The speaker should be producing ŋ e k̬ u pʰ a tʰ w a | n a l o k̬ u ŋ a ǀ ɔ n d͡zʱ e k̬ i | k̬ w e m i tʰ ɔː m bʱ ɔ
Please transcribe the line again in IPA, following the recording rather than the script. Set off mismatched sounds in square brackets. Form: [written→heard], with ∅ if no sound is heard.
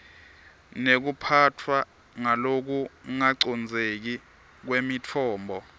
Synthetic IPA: [ŋ→n] e k̬ u pʰ a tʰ w a | [n→ŋ] a l o k̬ u ŋ a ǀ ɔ n d͡zʱ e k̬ i | k̬ w e m i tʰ ɔː m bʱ ɔ